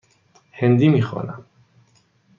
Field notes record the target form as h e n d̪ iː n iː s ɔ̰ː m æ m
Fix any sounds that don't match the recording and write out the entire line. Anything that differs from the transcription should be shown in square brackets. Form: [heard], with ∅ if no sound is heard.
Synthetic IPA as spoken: h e n d̪ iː [m] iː [x] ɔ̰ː [n] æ m

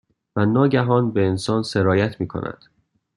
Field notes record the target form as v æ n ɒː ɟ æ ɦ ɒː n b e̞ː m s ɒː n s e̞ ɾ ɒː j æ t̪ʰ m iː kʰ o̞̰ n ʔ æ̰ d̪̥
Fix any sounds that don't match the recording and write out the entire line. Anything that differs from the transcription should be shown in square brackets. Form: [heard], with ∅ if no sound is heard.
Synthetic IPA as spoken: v æ n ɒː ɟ æ ɦ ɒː n b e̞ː [n] s ɒː n s e̞ ɾ ɒː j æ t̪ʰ m iː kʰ o̞̰ n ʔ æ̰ d̪̥

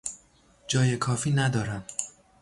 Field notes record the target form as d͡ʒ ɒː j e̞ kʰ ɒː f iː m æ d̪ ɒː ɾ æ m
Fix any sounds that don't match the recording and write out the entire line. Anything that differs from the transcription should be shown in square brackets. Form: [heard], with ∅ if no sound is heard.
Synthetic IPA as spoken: d͡ʒ ɒː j e̞ kʰ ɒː f iː [n] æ d̪ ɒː ɾ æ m

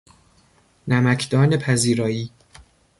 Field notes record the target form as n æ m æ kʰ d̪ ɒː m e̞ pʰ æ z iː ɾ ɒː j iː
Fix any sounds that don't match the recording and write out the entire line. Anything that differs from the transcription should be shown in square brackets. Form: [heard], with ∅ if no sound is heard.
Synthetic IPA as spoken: n æ m æ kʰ d̪ ɒː [n] e̞ pʰ æ z iː ɾ ɒː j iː

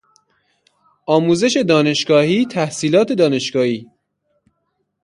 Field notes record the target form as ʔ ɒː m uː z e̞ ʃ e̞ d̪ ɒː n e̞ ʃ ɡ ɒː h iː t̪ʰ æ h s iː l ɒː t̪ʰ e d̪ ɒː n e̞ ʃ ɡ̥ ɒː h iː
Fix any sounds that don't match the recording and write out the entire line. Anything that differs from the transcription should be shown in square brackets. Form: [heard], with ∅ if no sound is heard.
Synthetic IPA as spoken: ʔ ɒː m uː z e̞ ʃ e̞ d̪ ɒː n e̞ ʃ ɡ ɒː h iː t̪ʰ æ h s iː l ɒː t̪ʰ e d̪ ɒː n e̞ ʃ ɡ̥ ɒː h iː

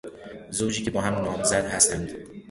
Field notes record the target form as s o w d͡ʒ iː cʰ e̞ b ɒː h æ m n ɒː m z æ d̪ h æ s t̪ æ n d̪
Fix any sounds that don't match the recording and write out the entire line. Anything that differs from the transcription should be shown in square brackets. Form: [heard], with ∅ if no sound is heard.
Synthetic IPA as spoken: [z] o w d͡ʒ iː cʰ e̞ b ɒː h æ m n ɒː m z æ d̪ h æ s t̪ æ n d̪

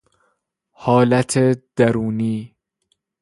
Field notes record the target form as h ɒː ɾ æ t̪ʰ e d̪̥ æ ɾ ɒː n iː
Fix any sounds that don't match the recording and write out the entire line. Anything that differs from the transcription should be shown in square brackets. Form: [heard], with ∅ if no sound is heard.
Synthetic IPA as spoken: h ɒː [l] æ t̪ʰ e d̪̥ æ ɾ [uː] n iː

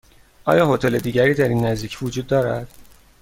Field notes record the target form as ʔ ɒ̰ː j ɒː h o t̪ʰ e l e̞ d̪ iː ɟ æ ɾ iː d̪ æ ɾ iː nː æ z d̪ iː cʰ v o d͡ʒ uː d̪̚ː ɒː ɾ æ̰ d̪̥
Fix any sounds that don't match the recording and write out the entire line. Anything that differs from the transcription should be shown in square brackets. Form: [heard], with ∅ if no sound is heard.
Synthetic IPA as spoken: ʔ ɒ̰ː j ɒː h o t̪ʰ e l e̞ d̪ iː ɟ æ ɾ iː d̪ æ ɾ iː nː æ z d̪ iː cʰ v o d͡ʒ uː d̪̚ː ɒː ɾ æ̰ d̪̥

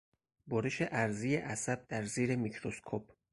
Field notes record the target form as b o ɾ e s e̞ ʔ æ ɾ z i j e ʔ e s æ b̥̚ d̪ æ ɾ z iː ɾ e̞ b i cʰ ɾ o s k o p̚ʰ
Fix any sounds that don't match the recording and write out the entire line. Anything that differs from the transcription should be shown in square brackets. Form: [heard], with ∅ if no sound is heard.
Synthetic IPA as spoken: b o ɾ e [ʃ] e̞ ʔ æ ɾ z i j e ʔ [æ] s æ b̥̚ d̪ æ ɾ z iː ɾ e̞ [m] i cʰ ɾ o s [kʰ] o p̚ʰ

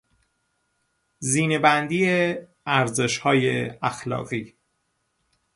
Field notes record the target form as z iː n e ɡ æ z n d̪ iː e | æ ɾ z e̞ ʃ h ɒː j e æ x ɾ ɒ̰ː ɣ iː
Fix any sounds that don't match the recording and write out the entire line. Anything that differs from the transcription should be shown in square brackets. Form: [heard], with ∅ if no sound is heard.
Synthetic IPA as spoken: z iː n e [b] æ [∅] n d̪ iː e | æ ɾ z e̞ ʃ h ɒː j e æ x [l] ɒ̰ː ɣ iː

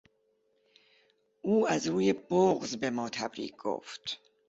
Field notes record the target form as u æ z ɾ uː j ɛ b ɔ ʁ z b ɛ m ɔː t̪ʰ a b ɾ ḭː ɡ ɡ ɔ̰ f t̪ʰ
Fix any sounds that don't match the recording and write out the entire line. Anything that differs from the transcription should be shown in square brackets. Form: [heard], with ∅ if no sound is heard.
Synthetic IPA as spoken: u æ z ɾ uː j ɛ b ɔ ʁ z b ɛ m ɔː t̪ʰ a b ɾ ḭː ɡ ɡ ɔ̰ f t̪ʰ

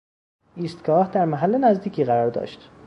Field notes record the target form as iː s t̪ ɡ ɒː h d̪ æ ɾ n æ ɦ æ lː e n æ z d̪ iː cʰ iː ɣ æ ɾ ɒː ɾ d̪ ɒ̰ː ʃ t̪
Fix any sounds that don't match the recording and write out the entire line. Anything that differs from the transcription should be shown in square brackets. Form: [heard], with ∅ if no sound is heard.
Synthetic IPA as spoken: iː s t̪ ɡ ɒː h d̪ æ ɾ [m] æ ɦ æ lː e n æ z d̪ iː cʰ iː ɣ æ ɾ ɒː ɾ d̪ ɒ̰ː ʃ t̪

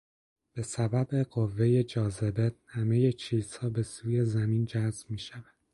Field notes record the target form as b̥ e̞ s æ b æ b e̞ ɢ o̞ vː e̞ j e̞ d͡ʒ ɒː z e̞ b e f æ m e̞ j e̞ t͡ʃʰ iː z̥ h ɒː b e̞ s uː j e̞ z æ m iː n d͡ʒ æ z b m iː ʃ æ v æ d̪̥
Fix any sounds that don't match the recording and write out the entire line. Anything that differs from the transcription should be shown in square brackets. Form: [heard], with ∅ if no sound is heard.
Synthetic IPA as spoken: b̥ e̞ s æ b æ b e̞ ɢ o̞ vː e̞ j e̞ d͡ʒ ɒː z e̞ b e [h] æ m e̞ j e̞ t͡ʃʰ iː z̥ h ɒː b e̞ s uː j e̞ z æ m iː n d͡ʒ æ z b m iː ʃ æ v æ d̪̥

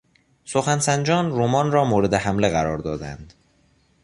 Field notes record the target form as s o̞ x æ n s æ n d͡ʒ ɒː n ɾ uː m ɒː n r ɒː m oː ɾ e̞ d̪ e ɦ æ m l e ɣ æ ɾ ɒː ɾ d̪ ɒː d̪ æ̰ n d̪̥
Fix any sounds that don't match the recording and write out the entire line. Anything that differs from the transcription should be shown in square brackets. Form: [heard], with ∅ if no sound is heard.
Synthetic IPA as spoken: s o̞ x æ n s æ n d͡ʒ ɒː n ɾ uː m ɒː n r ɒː m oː ɾ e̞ d̪ e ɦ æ m l e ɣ æ ɾ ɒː ɾ d̪ ɒː d̪ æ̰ n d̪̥

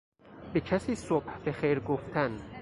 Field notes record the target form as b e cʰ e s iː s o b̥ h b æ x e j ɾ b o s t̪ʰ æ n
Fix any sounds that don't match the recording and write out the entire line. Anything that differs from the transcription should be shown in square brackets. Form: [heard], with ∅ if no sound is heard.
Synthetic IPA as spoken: b e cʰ [æ] s iː s o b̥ h b [e] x e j ɾ [ɡ] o [f] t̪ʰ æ n

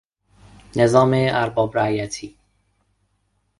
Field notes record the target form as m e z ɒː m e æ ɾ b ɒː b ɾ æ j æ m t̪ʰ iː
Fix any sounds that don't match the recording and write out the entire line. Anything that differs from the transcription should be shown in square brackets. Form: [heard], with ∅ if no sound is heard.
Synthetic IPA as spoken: [n] e z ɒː m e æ ɾ b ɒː b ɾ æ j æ [∅] t̪ʰ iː

